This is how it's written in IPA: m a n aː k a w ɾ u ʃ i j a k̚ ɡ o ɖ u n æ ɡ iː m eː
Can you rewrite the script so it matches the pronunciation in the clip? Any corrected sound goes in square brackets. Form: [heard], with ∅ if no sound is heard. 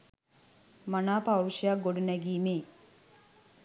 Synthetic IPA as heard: m a n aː [p] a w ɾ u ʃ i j a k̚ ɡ o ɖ u n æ ɡ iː m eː